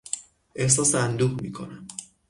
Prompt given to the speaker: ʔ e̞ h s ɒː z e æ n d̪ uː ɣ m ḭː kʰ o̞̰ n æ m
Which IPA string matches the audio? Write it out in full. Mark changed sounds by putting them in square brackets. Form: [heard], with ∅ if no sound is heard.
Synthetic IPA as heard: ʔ e̞ h s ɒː [s] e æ n d̪ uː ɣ m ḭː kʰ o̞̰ n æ m